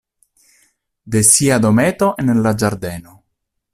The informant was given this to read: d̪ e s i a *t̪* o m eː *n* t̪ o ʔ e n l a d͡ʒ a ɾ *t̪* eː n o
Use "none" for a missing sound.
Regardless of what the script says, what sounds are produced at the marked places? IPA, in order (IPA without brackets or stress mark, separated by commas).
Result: d̪, none, d̪